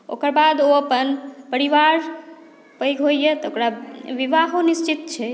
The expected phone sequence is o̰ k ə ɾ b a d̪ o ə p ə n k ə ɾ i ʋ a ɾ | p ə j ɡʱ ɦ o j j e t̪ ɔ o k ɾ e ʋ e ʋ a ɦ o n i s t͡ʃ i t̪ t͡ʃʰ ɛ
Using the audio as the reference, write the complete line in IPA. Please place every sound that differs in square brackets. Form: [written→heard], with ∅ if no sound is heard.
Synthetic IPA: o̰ k ə ɾ b a d̪ o ə p ə n [k→p] ə ɾ i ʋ a ɾ | p ə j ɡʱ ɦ o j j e t̪ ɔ o k ɾ [e→a] ʋ [e→i] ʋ a ɦ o n i s t͡ʃ i t̪ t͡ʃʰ ɛ